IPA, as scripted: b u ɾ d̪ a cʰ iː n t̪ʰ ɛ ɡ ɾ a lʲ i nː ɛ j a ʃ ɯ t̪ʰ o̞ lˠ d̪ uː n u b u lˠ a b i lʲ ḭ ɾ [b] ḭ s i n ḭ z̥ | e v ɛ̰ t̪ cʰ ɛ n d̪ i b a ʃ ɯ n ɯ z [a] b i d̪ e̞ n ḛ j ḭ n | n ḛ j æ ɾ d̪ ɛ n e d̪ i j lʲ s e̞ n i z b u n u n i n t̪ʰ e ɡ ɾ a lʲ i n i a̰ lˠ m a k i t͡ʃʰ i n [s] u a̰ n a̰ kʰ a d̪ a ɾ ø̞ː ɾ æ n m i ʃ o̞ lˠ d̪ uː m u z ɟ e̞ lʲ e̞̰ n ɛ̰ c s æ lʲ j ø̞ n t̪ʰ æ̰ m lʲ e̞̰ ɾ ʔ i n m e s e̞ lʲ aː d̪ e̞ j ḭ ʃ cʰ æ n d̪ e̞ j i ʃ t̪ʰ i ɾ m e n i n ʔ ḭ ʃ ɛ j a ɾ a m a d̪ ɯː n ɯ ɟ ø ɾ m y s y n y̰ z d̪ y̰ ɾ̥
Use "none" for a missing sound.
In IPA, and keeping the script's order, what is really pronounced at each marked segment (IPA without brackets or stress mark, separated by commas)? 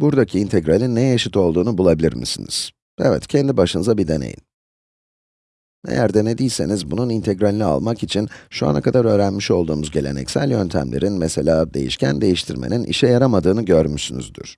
m, a, ʃ